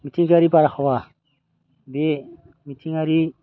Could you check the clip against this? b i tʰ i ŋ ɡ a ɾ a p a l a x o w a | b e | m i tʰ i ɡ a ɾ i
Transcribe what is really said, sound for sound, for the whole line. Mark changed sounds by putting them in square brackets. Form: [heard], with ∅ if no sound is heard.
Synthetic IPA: [m] i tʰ i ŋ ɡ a ɾ [i] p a [ɾ] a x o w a | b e | m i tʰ i [ŋ] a ɾ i